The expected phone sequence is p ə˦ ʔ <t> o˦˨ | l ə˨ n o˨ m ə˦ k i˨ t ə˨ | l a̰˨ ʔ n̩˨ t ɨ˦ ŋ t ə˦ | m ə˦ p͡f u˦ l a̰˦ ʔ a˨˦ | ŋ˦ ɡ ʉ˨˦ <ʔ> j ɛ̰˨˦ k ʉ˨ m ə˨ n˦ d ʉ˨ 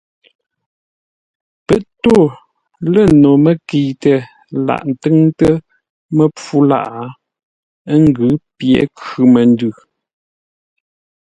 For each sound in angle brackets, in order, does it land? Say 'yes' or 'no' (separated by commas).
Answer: yes, no